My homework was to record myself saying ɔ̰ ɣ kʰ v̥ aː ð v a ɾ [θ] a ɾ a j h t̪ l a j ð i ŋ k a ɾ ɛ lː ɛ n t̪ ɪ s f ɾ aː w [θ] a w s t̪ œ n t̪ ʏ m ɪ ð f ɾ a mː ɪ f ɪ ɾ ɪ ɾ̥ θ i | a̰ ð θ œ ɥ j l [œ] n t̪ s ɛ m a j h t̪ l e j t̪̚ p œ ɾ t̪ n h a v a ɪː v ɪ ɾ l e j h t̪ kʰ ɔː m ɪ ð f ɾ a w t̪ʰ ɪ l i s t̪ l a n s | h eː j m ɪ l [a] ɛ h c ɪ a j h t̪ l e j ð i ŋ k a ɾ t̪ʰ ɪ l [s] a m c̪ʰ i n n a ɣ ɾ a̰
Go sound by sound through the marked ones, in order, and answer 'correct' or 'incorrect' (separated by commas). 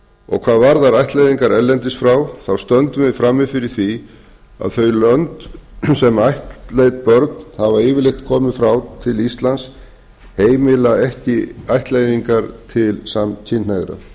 incorrect, correct, correct, correct, correct